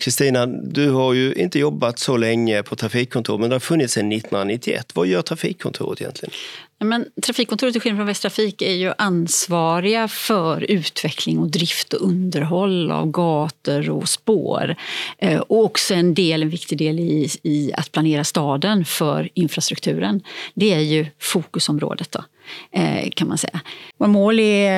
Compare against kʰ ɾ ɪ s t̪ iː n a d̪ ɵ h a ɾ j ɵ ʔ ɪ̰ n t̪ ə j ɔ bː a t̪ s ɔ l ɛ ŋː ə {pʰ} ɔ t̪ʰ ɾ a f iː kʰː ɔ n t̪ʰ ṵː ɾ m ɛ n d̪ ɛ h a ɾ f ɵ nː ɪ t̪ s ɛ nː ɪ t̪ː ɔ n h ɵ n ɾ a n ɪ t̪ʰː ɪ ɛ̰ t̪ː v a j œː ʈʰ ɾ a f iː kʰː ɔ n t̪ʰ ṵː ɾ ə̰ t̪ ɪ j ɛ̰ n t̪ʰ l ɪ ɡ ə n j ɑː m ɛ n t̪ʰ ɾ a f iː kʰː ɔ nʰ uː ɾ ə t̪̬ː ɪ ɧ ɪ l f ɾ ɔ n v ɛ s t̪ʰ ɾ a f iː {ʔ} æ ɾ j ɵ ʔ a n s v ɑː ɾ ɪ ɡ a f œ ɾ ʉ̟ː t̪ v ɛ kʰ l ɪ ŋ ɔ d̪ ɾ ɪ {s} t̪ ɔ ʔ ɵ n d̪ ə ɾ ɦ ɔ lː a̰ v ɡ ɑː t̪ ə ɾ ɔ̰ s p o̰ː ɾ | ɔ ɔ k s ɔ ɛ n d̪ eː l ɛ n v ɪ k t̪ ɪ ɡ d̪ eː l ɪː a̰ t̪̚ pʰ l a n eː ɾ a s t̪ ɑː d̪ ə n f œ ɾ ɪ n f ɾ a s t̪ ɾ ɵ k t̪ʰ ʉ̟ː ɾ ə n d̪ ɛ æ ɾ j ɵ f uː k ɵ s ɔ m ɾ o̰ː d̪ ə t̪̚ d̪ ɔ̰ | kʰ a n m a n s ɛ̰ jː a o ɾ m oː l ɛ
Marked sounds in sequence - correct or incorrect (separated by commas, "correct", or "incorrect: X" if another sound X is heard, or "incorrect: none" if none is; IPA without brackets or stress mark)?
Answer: correct, incorrect: k, incorrect: f